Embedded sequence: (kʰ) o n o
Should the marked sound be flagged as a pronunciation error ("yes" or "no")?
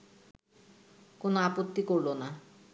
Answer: yes